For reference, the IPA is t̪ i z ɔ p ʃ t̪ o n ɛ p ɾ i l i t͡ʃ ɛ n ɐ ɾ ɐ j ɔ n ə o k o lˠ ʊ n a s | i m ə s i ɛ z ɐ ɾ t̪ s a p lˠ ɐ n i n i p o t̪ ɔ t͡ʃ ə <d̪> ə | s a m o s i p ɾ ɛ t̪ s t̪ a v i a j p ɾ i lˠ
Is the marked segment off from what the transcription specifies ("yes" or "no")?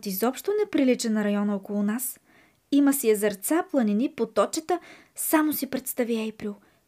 yes